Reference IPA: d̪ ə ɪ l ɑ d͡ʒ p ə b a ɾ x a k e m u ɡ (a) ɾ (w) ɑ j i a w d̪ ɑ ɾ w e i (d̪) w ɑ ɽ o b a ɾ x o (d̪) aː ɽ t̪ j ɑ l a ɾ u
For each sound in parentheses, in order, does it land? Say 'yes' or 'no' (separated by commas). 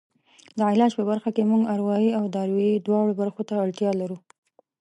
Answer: yes, yes, yes, no